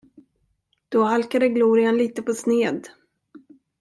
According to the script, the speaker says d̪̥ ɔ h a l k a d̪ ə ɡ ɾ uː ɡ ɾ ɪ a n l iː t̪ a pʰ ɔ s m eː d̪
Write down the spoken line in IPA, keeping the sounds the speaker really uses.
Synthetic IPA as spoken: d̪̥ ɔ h a l k a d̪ ə ɡ l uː ɾ ɪ a n l iː t̪ ə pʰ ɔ s n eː d̪